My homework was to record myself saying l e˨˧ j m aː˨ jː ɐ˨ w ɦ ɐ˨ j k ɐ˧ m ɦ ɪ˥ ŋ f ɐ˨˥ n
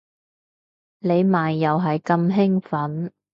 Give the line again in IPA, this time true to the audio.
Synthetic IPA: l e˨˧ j m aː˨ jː ɐ˨ w ɦ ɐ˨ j k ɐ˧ m ɦ ɪ˥ ŋ f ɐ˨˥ n